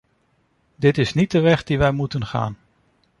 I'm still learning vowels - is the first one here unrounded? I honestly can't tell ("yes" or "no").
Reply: yes